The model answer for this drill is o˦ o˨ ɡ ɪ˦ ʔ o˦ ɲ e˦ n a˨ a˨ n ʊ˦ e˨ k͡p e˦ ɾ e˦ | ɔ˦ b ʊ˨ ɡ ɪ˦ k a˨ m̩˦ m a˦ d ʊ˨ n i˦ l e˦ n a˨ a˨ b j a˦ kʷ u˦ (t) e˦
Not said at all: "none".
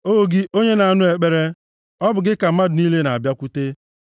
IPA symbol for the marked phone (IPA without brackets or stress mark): t